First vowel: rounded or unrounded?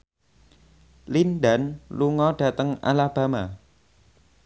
unrounded